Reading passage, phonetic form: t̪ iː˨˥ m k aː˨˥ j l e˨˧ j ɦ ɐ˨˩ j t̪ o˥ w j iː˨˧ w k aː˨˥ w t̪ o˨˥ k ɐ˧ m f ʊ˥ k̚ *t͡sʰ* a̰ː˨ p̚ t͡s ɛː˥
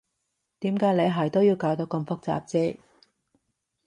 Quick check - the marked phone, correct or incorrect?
incorrect